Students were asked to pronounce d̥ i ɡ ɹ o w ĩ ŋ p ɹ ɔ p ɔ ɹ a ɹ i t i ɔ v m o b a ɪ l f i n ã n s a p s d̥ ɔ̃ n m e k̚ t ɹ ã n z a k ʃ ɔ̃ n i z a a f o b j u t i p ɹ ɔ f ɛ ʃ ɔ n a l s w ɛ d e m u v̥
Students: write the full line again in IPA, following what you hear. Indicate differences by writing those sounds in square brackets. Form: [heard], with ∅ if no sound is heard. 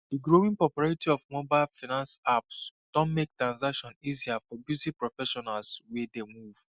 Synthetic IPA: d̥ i ɡ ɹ o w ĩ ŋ p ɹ ɔ p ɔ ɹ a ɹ i t i ɔ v m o b a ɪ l f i n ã n s a p s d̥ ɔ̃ n m e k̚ t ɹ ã n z a k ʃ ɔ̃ n i z [i] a f [ɔ] b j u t i p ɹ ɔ f ɛ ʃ ɔ n a l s w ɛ d e m u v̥